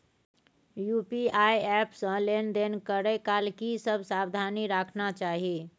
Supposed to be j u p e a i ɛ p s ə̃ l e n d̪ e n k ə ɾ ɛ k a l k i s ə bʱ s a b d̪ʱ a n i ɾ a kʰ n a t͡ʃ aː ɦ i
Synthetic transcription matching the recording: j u p i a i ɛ p s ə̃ l e n d̪ e n k ə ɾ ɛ k a l k i s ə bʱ s a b d̪ʱ a n i ɾ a kʰ n a t͡ʃ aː ɦ i